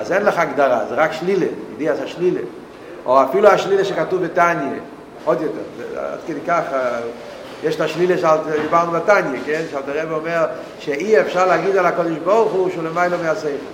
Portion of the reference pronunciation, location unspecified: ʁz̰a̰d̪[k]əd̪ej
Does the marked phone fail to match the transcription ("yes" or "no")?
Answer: no